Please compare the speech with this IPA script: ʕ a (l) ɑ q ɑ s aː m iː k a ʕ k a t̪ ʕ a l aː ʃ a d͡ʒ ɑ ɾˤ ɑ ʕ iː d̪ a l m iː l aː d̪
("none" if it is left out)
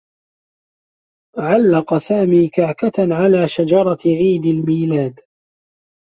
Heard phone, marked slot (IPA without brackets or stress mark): lː